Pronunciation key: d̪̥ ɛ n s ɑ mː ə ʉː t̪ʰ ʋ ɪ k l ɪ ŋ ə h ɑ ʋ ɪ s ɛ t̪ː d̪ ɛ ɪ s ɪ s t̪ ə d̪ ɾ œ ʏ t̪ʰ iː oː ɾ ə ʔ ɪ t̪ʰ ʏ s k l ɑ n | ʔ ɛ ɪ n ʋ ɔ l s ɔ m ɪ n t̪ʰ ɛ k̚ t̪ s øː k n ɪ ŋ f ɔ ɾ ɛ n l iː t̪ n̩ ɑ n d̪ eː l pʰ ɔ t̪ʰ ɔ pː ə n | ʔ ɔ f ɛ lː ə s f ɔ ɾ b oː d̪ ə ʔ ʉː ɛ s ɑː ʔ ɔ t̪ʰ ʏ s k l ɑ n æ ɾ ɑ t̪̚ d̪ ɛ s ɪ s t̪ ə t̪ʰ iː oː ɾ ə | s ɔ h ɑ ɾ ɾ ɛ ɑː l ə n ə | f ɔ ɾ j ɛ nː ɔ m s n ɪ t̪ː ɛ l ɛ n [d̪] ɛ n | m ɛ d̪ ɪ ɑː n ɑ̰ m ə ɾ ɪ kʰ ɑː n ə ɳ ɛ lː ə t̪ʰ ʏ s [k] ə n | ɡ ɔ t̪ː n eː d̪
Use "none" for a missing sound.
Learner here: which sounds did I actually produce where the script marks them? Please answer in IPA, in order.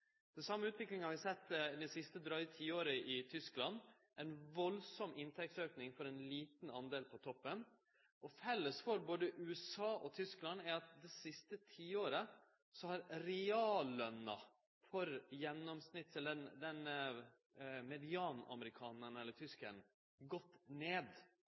d̪, k

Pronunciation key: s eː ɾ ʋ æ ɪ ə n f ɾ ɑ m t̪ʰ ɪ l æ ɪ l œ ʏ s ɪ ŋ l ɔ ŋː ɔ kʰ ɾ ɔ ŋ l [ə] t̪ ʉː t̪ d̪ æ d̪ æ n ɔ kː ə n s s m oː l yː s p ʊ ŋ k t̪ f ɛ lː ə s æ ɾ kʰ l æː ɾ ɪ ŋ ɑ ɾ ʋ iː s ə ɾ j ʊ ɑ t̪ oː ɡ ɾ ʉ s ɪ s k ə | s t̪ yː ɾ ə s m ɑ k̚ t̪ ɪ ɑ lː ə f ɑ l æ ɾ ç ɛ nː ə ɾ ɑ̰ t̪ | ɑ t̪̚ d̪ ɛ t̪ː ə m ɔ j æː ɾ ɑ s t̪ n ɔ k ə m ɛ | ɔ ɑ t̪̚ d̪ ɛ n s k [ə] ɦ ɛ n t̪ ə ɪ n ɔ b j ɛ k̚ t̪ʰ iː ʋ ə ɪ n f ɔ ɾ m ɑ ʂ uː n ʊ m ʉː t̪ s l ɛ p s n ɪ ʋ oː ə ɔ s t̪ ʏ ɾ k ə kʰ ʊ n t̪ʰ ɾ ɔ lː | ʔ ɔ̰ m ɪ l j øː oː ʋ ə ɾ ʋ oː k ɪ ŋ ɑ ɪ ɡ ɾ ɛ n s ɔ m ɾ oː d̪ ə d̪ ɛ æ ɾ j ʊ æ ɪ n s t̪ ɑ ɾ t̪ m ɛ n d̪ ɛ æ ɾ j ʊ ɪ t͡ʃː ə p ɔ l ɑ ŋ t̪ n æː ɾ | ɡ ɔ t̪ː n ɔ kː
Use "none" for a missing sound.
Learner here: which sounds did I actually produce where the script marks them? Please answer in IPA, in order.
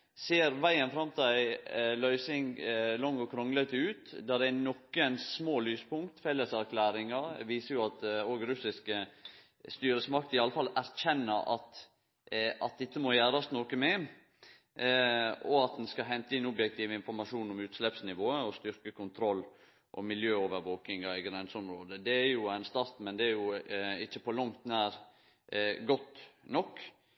ə, ɑ

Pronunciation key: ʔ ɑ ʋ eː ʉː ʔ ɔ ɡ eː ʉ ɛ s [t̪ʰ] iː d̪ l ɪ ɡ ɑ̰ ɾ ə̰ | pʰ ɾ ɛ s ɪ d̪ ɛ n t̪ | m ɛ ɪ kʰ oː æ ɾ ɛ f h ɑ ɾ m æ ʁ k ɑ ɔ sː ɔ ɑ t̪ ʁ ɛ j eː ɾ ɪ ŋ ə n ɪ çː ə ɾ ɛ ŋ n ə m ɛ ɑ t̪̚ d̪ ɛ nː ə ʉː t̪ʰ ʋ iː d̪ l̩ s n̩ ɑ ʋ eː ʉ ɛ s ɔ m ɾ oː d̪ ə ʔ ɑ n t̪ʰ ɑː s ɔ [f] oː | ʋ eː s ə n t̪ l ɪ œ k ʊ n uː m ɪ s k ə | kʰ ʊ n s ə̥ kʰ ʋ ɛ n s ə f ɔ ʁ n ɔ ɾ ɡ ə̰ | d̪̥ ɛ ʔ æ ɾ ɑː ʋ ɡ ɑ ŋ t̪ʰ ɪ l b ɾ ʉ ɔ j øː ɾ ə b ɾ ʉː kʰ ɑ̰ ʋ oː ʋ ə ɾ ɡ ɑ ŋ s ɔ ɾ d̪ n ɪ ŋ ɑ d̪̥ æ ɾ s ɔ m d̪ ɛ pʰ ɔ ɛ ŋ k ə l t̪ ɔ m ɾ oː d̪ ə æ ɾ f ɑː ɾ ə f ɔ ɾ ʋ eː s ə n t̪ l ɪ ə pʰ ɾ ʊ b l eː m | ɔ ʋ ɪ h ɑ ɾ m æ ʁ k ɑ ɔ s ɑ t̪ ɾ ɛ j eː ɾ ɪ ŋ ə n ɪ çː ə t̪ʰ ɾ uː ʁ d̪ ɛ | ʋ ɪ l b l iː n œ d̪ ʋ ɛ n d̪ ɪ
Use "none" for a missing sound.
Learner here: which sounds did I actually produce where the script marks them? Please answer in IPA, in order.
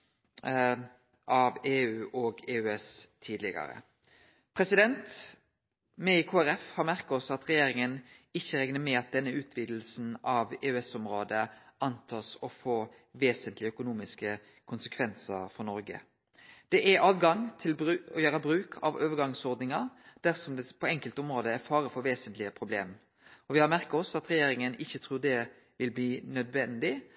t̪ʰ, f

